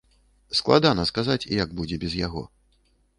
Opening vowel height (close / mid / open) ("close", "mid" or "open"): open